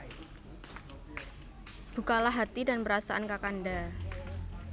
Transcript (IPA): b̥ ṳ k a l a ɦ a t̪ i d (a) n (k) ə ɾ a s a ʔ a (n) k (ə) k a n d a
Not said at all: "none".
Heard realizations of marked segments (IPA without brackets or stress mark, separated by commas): a, p, n, a